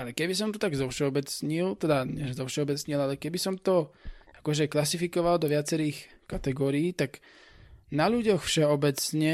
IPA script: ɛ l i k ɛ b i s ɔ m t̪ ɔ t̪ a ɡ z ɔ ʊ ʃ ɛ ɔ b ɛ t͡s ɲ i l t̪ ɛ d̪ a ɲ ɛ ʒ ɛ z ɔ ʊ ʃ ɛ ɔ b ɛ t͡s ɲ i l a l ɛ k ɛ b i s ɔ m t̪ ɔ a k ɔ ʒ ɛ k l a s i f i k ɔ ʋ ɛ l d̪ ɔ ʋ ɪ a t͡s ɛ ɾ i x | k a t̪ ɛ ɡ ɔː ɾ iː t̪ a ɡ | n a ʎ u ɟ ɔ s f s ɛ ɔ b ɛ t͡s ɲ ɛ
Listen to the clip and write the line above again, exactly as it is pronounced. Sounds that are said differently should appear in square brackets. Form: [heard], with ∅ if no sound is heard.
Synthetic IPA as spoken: [a] l [ɛ] k ɛ b i s ɔ m t̪ ɔ t̪ a ɡ z ɔ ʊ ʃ ɛ ɔ b ɛ t͡s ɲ i l t̪ ɛ d̪ a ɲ ɛ ʒ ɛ z ɔ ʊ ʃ ɛ ɔ b ɛ t͡s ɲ i l a l ɛ k ɛ b i s ɔ m t̪ ɔ a k ɔ ʒ ɛ k l a s i f i k ɔ ʋ [a] l d̪ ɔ ʋ ɪ a t͡s ɛ ɾ [iː] x | k a t̪ ɛ ɡ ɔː ɾ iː t̪ a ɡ | n a ʎ u ɟ ɔ [x] f [ʃ] ɛ ɔ b ɛ t͡s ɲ ɛ